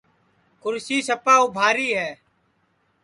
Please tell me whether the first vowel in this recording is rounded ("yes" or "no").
yes